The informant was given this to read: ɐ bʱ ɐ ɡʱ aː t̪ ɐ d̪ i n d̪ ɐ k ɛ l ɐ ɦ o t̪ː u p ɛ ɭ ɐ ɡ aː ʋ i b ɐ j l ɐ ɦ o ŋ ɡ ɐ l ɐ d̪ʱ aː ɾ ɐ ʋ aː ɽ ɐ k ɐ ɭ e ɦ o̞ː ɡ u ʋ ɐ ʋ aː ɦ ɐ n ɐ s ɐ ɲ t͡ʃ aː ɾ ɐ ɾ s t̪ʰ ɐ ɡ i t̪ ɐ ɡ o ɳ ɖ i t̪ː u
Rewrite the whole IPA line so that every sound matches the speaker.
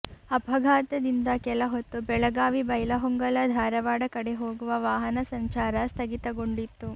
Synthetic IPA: ɐ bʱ ɐ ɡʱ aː t̪ ɐ d̪ i n d̪ ɐ k ɛ l ɐ ɦ o t̪ː u b ɛ ɭ ɐ ɡ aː ʋ i b ɐ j l ɐ ɦ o ŋ ɡ ɐ l ɐ d̪ʱ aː ɾ ɐ ʋ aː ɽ ɐ k ɐ ɽ e ɦ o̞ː ɡ u ʋ ɐ ʋ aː ɦ ɐ n ɐ s ɐ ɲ t͡ʃ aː ɾ ɐ s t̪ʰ ɐ ɡ i t̪ ɐ ɡ o ɳ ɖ i t̪ː u